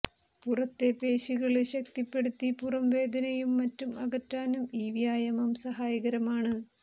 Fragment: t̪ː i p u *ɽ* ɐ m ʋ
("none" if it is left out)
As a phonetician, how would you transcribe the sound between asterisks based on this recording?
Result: r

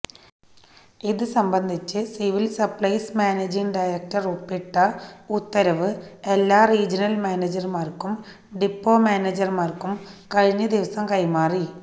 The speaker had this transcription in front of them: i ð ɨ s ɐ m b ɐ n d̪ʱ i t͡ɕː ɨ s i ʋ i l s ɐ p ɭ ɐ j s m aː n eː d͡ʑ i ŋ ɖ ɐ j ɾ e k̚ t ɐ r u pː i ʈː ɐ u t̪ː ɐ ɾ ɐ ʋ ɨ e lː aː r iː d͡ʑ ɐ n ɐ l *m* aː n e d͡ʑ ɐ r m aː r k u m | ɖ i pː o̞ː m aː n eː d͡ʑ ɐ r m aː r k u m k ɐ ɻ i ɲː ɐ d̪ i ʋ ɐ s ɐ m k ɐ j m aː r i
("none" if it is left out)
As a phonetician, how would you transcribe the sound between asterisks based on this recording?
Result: m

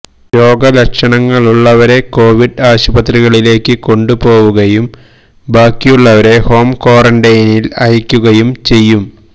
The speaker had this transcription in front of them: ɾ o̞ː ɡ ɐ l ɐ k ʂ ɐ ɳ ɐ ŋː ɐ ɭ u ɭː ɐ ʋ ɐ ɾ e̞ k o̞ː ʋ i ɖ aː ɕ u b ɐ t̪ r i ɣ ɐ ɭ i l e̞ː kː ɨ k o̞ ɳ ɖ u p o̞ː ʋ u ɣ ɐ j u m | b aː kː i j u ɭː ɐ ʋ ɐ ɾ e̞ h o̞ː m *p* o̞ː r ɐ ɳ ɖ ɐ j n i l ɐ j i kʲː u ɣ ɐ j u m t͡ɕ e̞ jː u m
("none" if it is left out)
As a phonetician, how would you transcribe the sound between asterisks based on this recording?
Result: k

